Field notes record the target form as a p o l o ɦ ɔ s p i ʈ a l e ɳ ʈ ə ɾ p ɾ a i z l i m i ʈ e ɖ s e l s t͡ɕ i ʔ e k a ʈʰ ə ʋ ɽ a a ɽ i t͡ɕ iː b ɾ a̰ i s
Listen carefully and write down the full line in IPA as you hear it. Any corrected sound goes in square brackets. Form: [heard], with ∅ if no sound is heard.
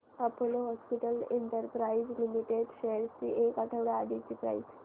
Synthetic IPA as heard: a p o l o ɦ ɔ s p i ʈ [ə] l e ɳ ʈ ə ɾ p ɾ a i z l i m i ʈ e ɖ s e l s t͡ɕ i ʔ e k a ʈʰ ə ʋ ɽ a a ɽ i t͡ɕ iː [p] ɾ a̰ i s